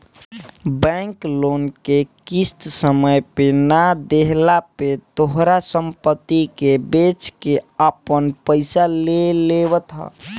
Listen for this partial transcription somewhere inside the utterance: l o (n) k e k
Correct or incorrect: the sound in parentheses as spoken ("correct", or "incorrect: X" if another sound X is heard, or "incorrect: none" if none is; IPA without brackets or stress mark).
correct